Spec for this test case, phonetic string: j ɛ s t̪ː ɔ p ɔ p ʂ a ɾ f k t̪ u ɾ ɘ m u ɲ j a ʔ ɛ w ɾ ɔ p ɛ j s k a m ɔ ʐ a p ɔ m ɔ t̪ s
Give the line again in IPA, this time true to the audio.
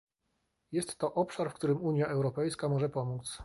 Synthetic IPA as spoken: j ɛ s t̪ː ɔ ʔ ɔ p ʂ a ɾ f k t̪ u ɾ ɘ m u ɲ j a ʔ ɛ w ɾ ɔ p ɛ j s k a m ɔ ʐ ɛ p ɔ m u t̪ s